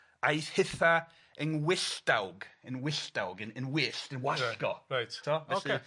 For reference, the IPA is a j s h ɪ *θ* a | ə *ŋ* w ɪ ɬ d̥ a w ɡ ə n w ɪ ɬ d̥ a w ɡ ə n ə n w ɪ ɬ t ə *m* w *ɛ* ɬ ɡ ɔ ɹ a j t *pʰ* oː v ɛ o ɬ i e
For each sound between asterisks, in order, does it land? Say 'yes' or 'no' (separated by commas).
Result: yes, no, no, no, no